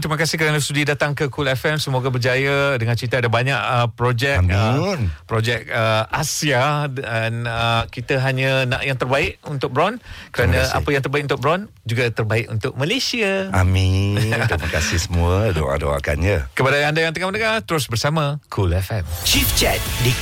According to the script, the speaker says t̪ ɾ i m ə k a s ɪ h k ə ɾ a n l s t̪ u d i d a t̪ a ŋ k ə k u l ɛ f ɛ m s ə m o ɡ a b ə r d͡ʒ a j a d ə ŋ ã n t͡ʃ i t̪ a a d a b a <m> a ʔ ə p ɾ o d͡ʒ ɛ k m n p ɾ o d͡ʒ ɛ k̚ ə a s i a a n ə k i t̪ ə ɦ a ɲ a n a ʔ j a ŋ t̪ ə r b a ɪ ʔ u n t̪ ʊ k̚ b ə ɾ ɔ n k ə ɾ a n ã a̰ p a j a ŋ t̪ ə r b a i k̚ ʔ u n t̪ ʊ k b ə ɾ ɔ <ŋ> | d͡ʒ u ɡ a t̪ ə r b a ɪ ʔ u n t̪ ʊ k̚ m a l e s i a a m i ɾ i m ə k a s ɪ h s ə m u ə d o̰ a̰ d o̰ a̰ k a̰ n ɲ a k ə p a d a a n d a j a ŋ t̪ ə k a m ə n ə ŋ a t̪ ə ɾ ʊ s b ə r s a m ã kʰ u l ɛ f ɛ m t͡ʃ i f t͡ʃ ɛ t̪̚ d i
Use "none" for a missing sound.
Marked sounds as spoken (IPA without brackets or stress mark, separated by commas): ɲ, n